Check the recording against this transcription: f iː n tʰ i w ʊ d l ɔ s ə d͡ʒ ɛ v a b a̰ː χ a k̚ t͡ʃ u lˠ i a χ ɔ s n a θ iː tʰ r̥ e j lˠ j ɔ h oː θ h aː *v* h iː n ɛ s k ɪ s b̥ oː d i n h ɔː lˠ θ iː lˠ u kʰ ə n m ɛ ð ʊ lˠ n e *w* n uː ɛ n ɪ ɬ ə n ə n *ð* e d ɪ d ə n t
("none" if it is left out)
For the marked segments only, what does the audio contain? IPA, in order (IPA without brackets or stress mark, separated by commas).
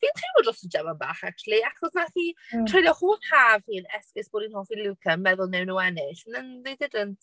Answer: v, w, ð